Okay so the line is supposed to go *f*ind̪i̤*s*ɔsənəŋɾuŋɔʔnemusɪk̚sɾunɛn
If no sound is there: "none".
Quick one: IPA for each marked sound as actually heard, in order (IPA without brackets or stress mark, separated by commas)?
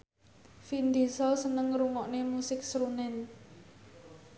f, s